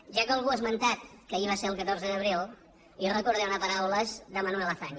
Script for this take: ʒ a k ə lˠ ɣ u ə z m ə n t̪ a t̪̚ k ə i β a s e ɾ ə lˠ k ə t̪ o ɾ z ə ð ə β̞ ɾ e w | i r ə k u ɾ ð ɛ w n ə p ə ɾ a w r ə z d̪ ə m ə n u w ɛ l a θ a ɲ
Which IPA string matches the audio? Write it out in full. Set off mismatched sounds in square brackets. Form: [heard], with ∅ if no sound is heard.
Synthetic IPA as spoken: ʒ a k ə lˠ ɣ u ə z m ə n t̪ a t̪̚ k ə i β a s e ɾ ə lˠ k ə t̪ o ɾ z ə ð ə β̞ ɾ e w | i r ə k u ɾ ð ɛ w n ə p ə ɾ a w [l] ə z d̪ ə m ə n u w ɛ l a θ a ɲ